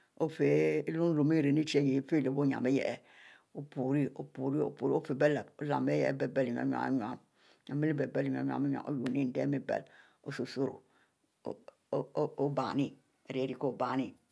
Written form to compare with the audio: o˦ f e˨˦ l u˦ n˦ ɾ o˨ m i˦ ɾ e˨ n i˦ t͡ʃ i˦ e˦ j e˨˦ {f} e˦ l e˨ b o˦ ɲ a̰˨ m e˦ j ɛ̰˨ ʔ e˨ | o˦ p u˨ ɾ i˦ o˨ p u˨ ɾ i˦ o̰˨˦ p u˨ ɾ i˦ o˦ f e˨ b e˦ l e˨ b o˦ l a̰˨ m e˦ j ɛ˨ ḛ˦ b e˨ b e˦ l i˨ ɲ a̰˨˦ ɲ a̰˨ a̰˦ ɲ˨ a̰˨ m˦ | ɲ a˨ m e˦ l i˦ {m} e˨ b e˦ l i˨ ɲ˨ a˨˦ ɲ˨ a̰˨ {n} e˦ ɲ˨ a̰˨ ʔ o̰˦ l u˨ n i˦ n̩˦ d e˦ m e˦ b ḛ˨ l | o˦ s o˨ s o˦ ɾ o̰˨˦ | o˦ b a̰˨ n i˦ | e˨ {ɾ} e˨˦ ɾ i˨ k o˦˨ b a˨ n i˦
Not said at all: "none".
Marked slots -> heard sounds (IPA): f, b, m, ɾ

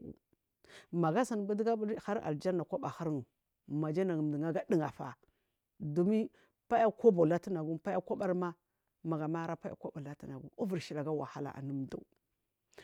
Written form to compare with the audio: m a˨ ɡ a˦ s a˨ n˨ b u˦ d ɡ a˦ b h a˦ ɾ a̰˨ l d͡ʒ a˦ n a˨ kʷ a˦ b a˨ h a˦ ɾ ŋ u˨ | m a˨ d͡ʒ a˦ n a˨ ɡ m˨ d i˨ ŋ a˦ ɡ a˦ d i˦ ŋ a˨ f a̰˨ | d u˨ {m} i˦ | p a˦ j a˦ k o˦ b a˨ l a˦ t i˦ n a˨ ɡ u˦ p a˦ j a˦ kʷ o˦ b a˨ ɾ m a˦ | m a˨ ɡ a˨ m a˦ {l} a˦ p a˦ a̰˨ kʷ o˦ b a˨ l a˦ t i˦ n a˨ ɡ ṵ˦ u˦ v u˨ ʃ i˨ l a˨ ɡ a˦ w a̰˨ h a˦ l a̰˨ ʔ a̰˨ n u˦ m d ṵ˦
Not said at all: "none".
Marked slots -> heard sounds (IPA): m, ɾ

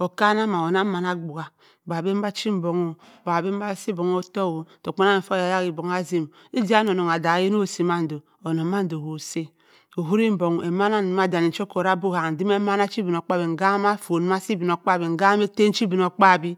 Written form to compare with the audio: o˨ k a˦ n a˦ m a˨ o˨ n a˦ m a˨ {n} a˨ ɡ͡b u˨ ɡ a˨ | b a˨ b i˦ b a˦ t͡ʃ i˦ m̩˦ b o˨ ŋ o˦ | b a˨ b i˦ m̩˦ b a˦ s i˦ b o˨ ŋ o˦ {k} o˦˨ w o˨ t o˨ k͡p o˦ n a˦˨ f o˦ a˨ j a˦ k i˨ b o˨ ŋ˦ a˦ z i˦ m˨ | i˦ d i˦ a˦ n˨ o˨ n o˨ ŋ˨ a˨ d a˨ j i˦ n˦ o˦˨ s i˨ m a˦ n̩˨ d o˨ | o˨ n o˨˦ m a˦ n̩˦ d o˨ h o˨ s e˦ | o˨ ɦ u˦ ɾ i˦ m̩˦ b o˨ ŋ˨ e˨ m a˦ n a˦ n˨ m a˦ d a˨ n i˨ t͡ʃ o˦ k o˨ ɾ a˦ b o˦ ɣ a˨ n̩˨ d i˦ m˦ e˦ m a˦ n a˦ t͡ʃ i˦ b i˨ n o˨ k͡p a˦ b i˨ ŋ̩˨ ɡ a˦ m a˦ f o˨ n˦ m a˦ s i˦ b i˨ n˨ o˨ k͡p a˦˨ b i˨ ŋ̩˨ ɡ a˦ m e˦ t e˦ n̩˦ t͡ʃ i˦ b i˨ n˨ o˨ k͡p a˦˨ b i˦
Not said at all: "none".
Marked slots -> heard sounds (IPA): n, t

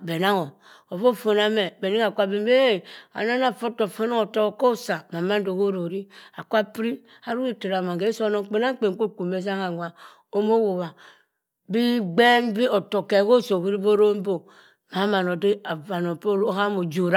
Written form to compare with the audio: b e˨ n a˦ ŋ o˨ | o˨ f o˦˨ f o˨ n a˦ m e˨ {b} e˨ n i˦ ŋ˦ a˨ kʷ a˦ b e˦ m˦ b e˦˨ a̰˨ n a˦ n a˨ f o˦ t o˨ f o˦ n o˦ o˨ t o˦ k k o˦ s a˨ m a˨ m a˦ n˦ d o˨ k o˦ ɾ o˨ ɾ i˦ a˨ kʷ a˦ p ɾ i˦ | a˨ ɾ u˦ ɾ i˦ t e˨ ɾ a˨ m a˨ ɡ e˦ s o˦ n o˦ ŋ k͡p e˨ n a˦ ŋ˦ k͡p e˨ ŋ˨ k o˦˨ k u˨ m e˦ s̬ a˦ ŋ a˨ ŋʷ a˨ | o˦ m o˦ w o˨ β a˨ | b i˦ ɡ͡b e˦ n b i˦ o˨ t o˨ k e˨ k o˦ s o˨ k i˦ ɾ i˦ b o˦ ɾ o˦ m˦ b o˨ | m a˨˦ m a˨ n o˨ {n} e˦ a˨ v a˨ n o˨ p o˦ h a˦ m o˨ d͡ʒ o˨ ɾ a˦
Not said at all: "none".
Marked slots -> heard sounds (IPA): b, d

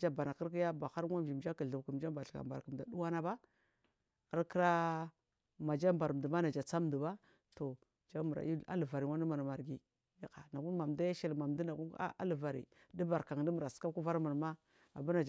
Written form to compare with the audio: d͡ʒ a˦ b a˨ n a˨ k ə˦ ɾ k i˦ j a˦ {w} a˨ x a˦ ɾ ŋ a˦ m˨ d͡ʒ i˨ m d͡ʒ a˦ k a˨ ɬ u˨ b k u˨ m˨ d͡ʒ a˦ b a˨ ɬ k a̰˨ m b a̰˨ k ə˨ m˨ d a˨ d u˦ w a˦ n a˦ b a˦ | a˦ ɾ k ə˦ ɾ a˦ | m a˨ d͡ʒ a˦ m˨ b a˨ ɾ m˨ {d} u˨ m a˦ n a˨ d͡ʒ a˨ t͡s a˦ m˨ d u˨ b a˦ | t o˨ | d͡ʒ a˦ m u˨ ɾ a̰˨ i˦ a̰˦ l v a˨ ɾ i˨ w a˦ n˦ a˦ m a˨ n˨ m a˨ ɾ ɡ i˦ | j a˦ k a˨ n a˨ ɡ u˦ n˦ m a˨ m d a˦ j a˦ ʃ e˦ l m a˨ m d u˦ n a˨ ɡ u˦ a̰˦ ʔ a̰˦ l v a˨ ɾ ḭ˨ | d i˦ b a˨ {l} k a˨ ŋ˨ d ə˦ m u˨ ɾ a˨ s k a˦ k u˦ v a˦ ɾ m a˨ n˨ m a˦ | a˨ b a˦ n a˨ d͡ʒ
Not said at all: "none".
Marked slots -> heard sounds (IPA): b, d, ɾ

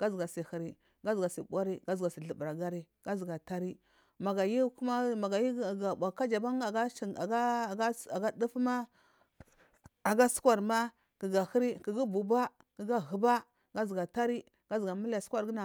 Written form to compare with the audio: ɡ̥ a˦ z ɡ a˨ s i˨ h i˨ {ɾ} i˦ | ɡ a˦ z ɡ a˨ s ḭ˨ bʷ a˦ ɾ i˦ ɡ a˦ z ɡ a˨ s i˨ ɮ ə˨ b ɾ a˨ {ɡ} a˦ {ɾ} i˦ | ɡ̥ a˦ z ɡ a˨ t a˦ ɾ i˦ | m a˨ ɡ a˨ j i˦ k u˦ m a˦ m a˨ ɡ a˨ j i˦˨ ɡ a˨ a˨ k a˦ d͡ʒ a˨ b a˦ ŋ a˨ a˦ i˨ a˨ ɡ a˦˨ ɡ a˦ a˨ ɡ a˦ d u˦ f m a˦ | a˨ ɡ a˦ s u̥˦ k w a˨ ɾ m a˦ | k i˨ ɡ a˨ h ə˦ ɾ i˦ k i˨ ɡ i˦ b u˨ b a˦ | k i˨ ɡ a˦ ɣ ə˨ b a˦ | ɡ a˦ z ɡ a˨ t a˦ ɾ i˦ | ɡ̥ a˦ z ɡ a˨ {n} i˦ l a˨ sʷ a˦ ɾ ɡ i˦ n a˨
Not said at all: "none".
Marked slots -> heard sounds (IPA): ɾ, ɡ, ɾ, m

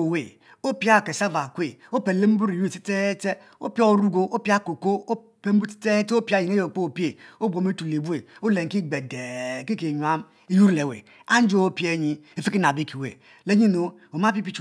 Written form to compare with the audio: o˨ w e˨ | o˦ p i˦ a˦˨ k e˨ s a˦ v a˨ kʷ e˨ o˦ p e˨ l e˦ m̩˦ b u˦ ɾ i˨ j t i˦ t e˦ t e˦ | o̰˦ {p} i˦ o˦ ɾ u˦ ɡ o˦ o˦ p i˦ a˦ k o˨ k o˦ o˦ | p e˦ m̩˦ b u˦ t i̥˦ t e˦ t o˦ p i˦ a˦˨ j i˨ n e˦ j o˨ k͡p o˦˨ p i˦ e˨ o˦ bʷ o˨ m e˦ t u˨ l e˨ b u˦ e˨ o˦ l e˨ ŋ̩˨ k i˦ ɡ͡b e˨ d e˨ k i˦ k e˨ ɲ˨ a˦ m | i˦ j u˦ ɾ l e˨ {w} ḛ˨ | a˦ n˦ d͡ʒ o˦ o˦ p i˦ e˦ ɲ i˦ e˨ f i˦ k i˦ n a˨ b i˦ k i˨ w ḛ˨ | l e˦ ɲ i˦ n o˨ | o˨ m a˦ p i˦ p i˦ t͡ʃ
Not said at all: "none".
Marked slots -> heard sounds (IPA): p, w

